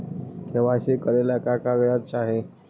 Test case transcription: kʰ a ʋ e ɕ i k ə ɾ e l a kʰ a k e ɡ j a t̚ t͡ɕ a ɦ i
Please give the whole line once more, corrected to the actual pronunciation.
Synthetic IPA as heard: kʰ e ʋ a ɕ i k ə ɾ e l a k a k a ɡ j a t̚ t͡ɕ a ɦ e